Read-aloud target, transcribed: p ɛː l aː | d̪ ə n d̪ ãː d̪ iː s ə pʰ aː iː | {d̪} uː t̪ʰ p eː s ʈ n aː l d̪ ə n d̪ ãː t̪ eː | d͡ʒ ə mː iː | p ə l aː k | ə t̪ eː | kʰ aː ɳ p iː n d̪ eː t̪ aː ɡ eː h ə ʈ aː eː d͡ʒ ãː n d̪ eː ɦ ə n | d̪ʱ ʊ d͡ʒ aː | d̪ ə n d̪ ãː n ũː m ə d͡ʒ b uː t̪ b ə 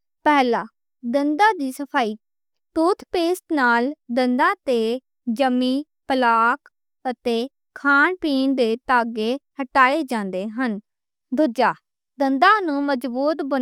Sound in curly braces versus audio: incorrect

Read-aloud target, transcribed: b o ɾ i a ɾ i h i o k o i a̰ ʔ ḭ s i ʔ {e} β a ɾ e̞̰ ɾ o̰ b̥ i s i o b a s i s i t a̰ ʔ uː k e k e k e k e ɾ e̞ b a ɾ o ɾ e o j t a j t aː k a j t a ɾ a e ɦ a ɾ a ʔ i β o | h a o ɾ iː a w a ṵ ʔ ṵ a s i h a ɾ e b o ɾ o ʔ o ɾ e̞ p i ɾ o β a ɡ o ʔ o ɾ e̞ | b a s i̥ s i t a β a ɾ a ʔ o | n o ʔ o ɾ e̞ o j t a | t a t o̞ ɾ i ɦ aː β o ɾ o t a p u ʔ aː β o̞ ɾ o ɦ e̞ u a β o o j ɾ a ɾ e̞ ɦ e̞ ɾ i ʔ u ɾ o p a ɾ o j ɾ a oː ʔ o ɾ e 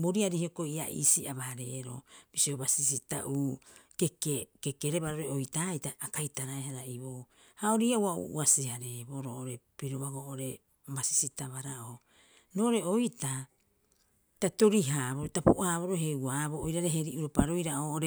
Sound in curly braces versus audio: incorrect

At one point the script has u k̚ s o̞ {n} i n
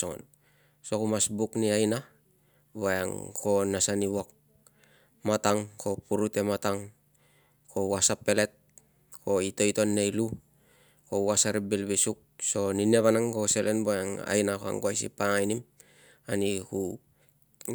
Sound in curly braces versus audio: correct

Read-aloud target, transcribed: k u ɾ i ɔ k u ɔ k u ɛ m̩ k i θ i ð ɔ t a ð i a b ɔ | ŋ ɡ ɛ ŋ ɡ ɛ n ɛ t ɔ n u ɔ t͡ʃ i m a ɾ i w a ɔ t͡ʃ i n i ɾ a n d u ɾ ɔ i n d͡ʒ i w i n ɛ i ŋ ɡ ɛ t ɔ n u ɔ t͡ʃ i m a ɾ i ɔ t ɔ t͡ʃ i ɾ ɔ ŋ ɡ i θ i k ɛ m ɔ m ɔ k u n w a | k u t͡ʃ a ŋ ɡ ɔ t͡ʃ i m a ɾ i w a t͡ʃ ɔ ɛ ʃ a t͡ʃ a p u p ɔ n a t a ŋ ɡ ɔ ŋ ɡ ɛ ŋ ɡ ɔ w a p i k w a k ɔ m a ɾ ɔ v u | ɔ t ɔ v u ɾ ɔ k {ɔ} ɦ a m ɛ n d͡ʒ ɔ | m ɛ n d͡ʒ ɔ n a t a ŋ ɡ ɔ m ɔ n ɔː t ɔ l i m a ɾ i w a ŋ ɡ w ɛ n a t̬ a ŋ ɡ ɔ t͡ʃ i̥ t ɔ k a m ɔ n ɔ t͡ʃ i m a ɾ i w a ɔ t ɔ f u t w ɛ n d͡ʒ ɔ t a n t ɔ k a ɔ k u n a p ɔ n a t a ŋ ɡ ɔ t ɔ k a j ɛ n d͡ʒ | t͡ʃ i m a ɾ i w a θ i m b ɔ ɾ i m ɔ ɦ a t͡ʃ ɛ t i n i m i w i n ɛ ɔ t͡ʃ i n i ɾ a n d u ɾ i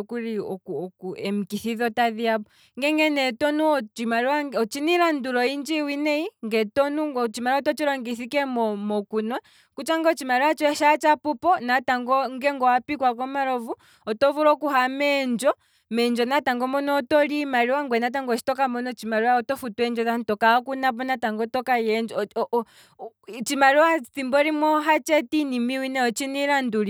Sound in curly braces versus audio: incorrect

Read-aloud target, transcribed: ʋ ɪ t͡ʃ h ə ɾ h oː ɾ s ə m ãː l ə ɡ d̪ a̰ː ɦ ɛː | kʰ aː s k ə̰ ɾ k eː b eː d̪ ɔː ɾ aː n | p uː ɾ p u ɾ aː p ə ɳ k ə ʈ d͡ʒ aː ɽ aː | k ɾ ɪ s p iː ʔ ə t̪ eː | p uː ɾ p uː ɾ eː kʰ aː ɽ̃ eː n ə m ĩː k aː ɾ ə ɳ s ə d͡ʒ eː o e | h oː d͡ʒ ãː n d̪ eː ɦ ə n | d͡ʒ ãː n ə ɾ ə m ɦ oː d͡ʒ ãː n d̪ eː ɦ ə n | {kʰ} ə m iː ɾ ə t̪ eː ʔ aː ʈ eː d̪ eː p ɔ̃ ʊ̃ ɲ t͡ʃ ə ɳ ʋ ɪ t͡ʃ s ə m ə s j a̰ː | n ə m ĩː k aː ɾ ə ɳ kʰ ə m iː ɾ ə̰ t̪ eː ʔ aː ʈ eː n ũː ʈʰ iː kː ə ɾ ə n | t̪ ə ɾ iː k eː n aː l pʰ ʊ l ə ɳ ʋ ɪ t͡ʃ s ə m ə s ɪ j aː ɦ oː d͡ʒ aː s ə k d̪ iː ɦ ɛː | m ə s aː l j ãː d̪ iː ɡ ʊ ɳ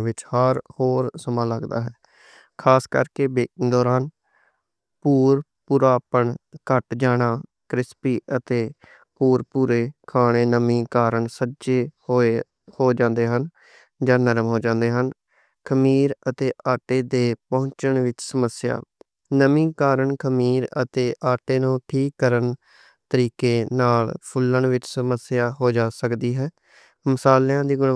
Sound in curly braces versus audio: correct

